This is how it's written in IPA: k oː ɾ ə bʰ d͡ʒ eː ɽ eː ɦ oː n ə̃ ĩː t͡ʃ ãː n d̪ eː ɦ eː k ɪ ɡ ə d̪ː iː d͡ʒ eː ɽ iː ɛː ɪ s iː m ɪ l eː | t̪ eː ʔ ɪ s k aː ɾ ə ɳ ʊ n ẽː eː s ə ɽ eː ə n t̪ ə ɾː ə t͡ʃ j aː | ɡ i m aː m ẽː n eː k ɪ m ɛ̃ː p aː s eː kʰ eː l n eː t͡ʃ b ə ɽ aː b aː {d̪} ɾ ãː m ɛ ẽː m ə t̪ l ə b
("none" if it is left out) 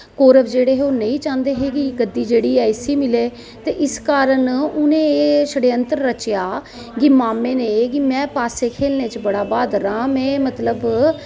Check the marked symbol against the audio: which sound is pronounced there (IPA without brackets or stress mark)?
d̪